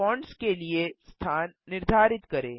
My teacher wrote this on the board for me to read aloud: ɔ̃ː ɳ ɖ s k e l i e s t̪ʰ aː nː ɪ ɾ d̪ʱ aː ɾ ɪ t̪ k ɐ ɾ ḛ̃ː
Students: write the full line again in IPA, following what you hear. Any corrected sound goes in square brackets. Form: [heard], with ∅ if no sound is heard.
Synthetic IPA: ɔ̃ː ɳ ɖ s k e l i e s t̪ʰ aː nː ɪ ɾ d̪ʱ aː ɾ ɪ t̪ k ɐ ɾ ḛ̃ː